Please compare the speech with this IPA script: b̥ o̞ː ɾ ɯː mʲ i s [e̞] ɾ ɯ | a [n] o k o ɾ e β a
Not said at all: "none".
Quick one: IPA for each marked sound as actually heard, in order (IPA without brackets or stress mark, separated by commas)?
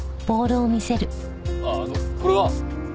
e̞, n